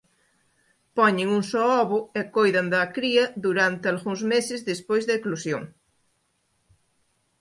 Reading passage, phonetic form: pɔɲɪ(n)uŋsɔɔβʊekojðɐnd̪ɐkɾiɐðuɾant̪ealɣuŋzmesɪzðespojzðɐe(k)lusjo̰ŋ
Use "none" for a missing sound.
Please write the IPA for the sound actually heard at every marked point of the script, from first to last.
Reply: ŋ, k

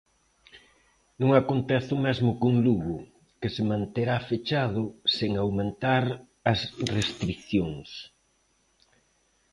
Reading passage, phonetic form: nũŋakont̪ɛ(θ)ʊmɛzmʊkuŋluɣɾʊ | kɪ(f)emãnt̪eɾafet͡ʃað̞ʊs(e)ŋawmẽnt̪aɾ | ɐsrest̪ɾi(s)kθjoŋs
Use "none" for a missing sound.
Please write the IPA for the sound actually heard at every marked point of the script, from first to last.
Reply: θ, s, e, none

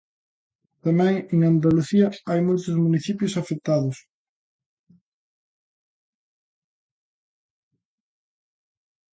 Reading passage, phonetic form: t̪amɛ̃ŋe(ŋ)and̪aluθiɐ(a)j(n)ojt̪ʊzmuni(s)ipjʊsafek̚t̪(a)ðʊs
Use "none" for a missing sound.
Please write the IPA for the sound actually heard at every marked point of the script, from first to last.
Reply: ŋ, a, m, θ, a

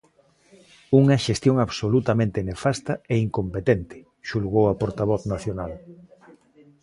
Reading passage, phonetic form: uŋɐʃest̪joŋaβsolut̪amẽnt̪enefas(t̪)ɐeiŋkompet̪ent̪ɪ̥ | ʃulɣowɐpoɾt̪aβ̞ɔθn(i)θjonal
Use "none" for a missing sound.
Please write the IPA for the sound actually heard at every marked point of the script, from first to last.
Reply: t̪, a

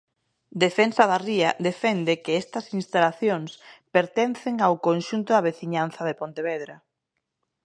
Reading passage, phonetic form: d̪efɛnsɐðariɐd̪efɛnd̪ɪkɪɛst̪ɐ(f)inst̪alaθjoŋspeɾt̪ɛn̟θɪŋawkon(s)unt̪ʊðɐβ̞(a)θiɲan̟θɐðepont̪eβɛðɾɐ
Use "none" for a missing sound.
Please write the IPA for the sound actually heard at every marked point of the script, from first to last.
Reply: s, ʃ, e

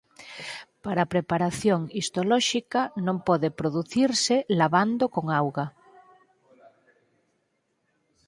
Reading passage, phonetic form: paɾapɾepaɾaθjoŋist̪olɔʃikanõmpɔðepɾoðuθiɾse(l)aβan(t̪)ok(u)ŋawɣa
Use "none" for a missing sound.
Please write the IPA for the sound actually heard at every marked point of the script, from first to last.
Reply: l, d̪, o

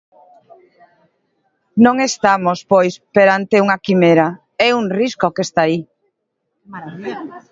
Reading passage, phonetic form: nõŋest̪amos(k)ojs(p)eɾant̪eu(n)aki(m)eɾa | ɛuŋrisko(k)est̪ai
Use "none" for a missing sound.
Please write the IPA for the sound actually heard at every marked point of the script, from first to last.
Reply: p, p, ŋ, m, k

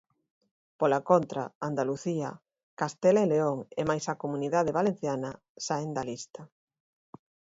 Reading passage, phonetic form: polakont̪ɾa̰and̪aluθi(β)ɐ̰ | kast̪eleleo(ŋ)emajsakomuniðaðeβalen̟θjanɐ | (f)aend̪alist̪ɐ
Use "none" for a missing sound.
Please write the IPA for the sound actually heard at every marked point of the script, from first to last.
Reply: none, ŋ, s

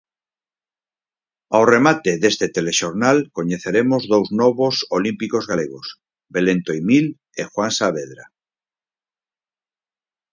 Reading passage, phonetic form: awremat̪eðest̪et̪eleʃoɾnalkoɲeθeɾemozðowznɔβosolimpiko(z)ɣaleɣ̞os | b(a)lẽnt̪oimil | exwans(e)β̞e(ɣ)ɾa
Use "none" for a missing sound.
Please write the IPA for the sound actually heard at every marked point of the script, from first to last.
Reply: z, e, a, ð

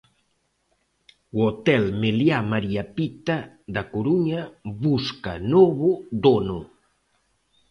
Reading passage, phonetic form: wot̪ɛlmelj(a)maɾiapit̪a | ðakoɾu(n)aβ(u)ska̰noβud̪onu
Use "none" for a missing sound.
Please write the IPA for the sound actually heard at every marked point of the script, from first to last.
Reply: a, ɲ, u

